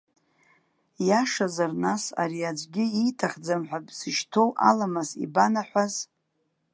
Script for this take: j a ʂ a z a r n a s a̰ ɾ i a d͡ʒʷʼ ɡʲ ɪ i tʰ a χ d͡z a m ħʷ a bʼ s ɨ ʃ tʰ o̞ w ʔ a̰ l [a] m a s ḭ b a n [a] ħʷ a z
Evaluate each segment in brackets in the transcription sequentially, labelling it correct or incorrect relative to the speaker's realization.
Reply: correct, correct

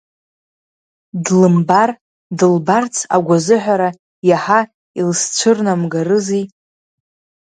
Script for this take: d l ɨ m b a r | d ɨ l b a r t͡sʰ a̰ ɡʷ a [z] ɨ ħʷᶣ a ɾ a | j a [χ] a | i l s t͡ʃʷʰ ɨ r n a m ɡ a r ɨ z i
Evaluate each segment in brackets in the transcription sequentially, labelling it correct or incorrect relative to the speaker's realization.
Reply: correct, incorrect: ħ

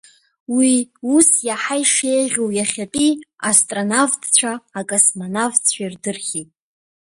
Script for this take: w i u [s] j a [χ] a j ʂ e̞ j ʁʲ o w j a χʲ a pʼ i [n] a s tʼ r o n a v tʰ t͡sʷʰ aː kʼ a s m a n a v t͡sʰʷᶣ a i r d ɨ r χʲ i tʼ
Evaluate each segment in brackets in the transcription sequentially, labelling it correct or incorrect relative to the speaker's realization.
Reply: correct, incorrect: ħ, incorrect: none

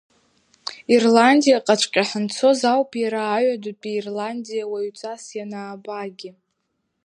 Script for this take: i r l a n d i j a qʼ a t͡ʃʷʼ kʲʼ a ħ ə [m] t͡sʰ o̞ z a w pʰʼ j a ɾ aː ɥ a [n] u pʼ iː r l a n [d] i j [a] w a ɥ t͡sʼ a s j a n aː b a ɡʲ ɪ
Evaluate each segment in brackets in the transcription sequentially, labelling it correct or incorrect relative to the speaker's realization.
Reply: incorrect: n, incorrect: d, correct, correct

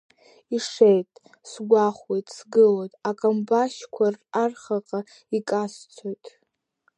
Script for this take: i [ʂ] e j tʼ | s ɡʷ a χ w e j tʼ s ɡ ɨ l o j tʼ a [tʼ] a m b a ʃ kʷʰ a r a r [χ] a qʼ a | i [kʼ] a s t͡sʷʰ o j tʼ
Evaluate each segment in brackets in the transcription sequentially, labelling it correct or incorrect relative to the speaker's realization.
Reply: correct, incorrect: kʼ, correct, correct

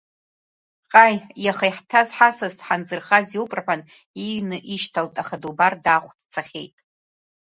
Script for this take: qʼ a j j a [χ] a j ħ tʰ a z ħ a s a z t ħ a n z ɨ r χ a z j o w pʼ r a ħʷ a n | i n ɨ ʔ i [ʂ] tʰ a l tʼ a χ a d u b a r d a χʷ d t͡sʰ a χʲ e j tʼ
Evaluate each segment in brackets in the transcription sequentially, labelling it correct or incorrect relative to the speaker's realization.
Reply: correct, incorrect: ʃ

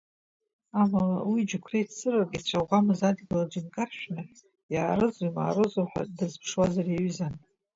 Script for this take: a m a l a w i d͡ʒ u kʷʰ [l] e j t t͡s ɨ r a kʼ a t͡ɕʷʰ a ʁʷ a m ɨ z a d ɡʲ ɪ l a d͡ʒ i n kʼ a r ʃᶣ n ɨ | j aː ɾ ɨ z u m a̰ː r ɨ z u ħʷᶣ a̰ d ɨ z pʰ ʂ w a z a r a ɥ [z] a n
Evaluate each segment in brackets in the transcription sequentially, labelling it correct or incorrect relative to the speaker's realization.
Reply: incorrect: r, correct

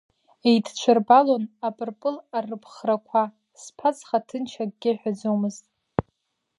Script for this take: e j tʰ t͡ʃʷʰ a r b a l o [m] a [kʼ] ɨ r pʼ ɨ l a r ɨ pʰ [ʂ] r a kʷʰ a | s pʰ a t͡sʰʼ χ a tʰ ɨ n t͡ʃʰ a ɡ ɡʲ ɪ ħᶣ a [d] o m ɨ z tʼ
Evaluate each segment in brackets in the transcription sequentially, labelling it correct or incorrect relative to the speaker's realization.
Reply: incorrect: n, incorrect: pʼ, incorrect: χ, incorrect: d͡z

